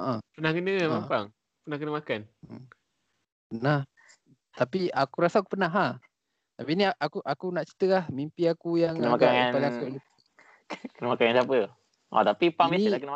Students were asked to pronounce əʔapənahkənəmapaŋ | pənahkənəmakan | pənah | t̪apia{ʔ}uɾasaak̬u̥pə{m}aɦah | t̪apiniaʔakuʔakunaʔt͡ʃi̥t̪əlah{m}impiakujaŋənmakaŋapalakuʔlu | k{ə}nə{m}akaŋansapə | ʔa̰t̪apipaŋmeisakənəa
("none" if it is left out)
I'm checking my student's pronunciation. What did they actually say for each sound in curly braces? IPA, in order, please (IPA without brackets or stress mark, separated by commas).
k, n, m, ə, m